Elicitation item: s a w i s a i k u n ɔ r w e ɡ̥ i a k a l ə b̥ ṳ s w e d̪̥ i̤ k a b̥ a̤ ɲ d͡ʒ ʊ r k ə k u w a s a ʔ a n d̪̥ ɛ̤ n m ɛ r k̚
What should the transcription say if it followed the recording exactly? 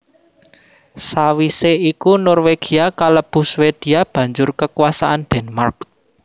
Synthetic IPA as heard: s a w i s e i k u n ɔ r w e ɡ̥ i a k a l ə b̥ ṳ s w e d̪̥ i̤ a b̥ a̤ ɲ d͡ʒ ʊ r k ə k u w a s a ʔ a n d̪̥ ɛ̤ n m a r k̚